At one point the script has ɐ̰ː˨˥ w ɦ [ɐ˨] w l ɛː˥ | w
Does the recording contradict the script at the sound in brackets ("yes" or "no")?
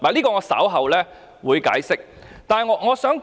no